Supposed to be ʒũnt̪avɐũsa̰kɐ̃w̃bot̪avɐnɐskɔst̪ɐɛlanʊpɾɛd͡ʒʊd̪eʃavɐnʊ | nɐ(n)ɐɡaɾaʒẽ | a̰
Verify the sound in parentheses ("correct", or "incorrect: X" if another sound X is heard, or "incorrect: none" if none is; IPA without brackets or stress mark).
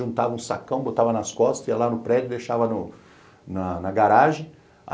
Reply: correct